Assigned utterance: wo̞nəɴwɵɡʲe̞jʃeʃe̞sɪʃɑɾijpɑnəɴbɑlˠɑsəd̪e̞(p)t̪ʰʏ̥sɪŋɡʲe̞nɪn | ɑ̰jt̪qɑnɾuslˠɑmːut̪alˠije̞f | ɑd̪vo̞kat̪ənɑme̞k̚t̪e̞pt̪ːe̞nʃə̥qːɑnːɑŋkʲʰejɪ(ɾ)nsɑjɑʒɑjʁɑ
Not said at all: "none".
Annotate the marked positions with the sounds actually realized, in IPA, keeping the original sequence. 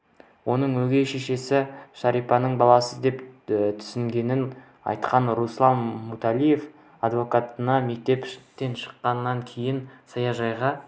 p, none

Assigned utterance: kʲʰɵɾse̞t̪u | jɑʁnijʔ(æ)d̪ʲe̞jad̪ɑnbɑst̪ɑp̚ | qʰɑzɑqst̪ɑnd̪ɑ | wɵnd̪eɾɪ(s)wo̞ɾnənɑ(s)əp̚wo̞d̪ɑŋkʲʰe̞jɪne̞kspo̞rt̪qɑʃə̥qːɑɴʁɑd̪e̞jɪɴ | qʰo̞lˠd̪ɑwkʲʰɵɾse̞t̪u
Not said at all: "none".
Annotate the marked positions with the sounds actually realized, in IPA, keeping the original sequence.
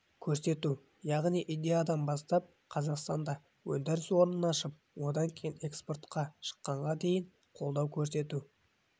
i, s, ʃ

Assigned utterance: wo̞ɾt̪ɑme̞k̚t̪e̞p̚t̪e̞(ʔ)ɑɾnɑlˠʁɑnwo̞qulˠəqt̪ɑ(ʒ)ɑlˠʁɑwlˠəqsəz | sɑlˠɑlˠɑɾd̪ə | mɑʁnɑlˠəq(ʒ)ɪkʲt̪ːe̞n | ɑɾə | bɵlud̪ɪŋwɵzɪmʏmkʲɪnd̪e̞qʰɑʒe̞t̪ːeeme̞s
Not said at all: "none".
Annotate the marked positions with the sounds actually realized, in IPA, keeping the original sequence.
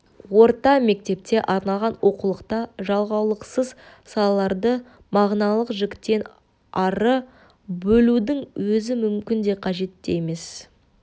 ʔ, ʒ, ʒ

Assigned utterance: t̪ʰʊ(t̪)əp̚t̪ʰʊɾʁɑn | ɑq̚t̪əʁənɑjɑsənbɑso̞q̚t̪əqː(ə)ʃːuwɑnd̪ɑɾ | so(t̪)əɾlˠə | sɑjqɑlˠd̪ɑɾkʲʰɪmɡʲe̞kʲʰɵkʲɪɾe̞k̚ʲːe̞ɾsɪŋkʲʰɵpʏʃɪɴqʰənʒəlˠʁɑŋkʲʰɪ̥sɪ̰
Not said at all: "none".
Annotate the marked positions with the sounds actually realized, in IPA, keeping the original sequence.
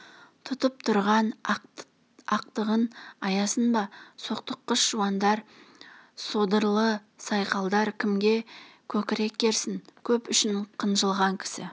t̪, ə, d̪

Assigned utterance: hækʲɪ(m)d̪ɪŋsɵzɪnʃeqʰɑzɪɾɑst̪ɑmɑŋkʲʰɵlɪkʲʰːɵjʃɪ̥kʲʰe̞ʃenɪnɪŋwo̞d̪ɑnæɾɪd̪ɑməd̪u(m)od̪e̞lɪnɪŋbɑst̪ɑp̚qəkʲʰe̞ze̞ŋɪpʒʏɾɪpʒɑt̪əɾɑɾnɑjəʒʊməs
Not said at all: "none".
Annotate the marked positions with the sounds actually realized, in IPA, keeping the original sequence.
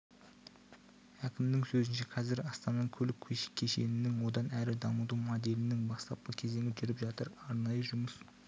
m, m

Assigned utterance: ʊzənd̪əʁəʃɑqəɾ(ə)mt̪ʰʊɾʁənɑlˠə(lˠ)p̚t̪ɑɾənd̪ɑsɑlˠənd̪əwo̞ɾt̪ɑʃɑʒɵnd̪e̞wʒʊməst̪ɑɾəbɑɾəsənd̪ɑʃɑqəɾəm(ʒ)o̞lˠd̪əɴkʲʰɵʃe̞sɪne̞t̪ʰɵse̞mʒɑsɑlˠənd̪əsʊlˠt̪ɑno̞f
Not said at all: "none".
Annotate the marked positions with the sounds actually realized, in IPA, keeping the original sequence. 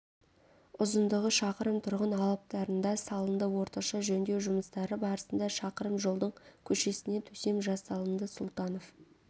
ə, none, ʒ

